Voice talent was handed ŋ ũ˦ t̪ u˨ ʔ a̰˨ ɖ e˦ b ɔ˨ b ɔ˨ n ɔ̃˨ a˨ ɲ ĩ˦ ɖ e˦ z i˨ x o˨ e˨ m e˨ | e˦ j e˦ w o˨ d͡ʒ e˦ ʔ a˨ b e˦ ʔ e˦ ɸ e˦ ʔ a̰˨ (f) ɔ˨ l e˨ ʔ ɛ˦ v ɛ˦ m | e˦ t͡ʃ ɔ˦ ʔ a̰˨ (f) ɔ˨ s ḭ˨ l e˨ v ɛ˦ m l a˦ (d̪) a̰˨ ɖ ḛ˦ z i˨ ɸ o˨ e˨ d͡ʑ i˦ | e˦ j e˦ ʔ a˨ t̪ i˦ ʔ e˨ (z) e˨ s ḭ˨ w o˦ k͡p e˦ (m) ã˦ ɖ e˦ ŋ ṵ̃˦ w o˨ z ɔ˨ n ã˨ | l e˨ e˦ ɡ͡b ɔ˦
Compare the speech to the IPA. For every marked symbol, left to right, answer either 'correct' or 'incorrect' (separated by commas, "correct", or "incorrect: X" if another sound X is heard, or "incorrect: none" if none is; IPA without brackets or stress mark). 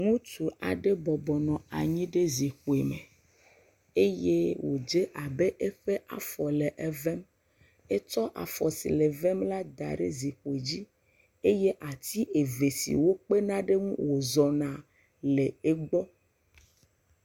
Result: correct, correct, correct, incorrect: v, incorrect: n